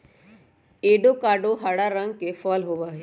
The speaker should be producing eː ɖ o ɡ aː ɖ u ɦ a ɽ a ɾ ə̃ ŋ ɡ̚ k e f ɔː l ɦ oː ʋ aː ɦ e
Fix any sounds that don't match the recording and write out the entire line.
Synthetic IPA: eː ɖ o k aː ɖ o ɦ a ɽ a ɾ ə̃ ŋ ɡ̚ k e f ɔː l ɦ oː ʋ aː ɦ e

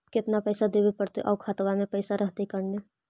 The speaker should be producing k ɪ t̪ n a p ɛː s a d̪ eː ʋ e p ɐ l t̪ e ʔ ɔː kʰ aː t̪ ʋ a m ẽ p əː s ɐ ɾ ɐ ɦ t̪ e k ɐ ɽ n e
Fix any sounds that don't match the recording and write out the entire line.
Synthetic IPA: k ɪ t̪ n a p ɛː s a d̪ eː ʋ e p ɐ ɽ t̪ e ʔ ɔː kʰ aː t̪ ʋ a m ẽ p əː s a ɾ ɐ ɦ t̪ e k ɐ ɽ n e

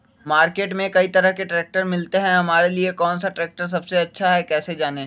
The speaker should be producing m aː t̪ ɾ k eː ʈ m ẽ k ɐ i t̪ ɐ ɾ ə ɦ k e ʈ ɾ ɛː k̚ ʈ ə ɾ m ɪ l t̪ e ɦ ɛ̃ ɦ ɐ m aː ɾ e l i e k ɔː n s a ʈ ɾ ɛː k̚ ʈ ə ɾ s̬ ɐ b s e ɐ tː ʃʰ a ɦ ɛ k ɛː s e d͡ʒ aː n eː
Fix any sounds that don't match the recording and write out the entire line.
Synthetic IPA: m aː ɾ k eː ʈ m ẽ k ɐ i t̪ ɐ ɾ ə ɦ k e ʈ ɾ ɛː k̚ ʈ ə ɾ m ɪ l t̪ e ɦ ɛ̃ ɦ ɐ m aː ɾ e l i e k ɔː n s a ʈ ɾ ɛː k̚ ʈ ə ɾ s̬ ɐ b s e ɐ tː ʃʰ a ɦ ɛ k ɛː s e d͡ʒ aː n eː

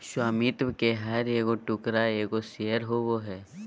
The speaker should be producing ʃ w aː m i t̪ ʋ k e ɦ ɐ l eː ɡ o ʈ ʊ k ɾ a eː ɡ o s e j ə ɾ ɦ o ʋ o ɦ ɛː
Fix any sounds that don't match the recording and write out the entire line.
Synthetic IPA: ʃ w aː m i t̪ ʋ k e ɦ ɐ ɾ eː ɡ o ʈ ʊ k ɾ a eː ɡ o s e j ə ɾ ɦ o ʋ o ɦ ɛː

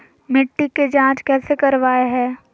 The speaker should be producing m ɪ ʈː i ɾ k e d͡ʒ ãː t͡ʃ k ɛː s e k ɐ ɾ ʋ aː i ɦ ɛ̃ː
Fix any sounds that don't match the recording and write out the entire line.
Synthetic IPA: m ɪ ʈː i k e d͡ʒ ãː t͡ʃ k ɛː s e k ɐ ɾ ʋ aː e ɦ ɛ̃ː

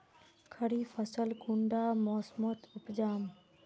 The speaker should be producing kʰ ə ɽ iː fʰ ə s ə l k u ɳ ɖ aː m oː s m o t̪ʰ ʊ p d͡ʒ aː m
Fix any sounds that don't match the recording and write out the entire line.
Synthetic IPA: kʰ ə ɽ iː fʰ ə s ə l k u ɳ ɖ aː m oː s m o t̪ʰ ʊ p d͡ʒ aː m

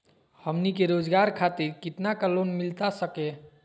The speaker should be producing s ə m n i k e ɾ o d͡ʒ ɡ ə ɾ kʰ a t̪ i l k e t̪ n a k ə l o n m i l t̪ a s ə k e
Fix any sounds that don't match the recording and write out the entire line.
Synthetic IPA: h ə m n i k e ɾ o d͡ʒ ɡ a ɾ kʰ a t̪ i ɾ k i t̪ n a k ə l o n m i l t̪ a s ə k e

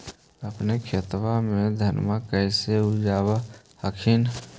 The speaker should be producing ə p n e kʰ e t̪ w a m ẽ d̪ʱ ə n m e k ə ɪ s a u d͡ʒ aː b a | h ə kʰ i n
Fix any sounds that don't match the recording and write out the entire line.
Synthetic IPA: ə p n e kʰ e t̪ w a m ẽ d̪ʱ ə n m a k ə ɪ s e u d͡ʒ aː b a | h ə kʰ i n

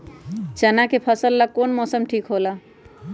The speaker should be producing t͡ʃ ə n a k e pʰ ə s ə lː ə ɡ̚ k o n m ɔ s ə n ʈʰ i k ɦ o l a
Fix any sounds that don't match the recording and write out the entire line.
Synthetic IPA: t͡ʃ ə n a k e pʰ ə s ə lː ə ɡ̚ k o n m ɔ s ə m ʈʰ i k ɦ o l a

